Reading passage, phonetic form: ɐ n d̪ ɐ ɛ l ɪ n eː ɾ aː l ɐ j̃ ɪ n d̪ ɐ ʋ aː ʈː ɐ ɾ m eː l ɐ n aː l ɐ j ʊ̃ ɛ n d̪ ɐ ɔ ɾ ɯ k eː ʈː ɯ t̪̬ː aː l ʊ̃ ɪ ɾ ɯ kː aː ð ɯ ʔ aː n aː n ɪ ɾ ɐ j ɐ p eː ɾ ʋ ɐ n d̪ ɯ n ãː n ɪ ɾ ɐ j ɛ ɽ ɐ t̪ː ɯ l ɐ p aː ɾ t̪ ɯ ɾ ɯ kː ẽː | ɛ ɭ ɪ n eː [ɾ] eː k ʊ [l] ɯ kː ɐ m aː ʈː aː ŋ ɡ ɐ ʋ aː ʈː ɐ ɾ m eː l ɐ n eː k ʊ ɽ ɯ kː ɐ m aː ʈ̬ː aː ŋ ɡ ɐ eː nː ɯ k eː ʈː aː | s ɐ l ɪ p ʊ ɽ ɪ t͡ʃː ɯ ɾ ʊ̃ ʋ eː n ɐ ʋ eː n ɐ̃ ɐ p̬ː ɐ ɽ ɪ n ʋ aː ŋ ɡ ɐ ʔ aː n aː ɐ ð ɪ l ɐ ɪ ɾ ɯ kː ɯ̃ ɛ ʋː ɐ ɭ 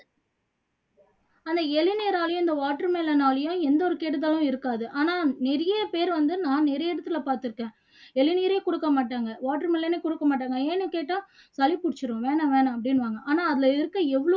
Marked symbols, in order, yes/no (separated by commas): yes, no